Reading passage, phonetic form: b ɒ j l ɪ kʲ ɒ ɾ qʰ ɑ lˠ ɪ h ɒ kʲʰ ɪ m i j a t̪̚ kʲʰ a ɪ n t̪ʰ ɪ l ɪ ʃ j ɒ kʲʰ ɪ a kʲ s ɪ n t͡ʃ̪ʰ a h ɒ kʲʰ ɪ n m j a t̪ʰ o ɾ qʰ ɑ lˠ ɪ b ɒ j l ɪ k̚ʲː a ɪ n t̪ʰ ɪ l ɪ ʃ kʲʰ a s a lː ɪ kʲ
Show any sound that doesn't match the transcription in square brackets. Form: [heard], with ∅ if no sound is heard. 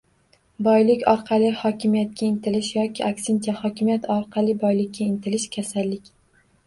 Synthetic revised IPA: b ɒ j l ɪ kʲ ɒ ɾ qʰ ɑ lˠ ɪ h ɒ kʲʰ ɪ m i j a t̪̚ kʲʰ a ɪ n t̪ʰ ɪ l ɪ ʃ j ɒ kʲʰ ɪ a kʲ s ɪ n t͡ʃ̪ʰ a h ɒ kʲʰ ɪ [∅] m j a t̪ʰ [ɒ] ɾ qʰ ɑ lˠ ɪ b ɒ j l ɪ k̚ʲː a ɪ n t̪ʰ ɪ l ɪ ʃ kʲʰ a s a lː ɪ kʲ